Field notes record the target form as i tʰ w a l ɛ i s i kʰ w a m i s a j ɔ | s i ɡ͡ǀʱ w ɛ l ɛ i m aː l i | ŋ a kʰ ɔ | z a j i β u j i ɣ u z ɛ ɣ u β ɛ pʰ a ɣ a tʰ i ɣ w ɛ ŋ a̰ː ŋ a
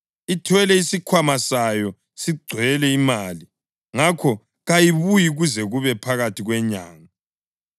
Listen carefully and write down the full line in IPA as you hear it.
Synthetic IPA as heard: i tʰ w ɛ l ɛ i s i kʰ w a m a s a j ɔ | s i ɡ͡ǀʱ w ɛ l ɛ i m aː l i | ŋ a kʰ ɔ | ɣ a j i β u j i ɣ u z ɛ ɣ u β ɛ pʰ a ɣ a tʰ i ɣ w ɛ ɲ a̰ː ŋ a